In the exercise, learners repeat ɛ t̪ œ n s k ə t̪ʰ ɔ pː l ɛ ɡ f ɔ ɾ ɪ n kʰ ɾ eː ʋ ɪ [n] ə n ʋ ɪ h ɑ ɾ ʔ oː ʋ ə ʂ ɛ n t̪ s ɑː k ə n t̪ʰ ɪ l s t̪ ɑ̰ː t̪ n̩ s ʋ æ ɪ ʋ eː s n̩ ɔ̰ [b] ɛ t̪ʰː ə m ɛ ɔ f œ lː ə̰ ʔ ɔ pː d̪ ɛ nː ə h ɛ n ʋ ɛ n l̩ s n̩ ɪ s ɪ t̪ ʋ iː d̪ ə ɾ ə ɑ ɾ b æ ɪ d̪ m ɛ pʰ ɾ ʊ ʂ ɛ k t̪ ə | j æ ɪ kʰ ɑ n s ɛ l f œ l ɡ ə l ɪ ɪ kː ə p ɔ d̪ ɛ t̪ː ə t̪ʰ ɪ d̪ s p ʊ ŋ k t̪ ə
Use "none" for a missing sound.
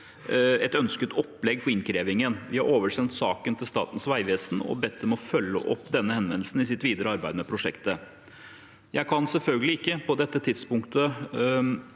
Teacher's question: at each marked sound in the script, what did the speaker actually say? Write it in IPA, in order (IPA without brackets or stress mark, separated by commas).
ŋ, b